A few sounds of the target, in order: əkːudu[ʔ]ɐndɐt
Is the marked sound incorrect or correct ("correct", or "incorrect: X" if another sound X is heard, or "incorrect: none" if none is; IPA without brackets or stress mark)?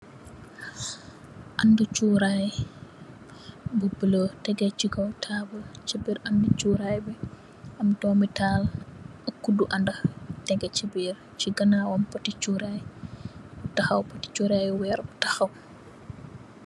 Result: correct